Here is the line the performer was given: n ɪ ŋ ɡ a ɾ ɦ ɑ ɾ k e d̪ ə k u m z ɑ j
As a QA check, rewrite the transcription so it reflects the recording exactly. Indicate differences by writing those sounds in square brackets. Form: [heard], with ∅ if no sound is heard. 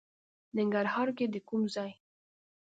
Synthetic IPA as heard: n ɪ ŋ ɡ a ɾ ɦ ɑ ɾ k e d̪ ə k u m z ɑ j